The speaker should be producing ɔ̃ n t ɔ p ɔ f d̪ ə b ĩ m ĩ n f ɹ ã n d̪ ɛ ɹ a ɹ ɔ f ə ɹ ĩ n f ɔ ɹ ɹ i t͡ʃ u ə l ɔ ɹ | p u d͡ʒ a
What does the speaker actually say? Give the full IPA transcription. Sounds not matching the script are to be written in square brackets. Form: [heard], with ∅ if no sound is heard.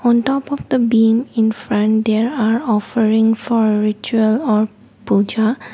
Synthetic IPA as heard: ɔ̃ n t ɔ p ɔ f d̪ ə b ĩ m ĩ n f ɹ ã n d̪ ɛ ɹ a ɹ ɔ f ə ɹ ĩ [ŋ] f ɔ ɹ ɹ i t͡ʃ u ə l ɔ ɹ | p u d͡ʒ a

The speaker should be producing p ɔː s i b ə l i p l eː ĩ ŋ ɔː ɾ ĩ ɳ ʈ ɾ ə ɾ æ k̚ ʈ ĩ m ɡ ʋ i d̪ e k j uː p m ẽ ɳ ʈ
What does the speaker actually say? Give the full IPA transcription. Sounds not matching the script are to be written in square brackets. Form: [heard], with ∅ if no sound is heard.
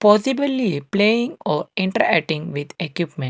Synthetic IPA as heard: p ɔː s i b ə l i p l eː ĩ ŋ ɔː ɾ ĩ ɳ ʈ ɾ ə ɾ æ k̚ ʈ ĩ [ŋ] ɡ ʋ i d̪ e k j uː p m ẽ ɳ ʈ

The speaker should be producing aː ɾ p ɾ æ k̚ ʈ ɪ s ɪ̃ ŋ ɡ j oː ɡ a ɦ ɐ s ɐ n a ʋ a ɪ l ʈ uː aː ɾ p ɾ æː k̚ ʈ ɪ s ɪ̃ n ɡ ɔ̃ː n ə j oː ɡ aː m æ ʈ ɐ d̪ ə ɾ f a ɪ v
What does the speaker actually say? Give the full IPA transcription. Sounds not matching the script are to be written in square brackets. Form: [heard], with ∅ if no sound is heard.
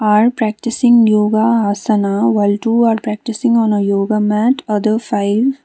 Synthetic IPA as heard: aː ɾ p ɾ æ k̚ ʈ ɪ s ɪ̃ ŋ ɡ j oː ɡ a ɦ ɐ s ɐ n a ʋ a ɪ l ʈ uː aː ɾ p ɾ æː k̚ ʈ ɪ s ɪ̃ [ŋ] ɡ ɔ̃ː n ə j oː ɡ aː m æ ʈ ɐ d̪ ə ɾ f a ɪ [ʋ]

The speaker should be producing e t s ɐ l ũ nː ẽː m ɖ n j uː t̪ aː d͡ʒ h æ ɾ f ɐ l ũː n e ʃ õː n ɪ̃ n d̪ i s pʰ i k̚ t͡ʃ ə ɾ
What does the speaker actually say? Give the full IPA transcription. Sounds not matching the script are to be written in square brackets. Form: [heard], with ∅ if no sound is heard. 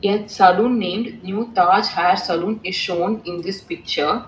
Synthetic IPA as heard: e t s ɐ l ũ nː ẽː m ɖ n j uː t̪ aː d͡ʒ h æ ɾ [s] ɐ l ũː n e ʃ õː n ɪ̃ n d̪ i s [p] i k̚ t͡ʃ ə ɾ

